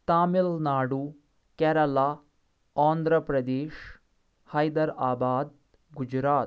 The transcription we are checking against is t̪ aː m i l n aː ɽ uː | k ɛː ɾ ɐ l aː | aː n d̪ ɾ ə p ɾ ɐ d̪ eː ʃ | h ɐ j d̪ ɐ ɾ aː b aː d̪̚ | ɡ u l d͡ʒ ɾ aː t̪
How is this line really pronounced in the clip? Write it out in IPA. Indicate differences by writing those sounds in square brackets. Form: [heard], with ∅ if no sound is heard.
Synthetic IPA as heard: t̪ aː m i l n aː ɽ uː | k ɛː ɾ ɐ l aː | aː n d̪ ɾ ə p ɾ ɐ d̪ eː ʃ | h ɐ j d̪ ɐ ɾ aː b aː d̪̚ | ɡ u [∅] d͡ʒ ɾ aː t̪